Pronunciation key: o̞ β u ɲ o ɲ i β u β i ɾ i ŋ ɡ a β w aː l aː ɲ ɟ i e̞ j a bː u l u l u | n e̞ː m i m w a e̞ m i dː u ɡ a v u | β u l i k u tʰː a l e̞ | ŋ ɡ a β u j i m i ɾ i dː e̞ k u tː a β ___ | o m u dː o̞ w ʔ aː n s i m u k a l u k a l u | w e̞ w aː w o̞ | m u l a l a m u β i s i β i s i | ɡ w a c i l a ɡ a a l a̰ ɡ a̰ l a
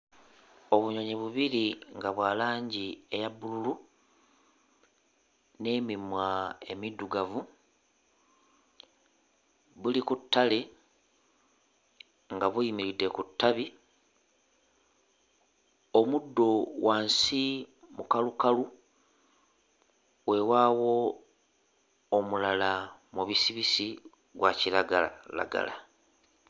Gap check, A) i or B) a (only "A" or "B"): A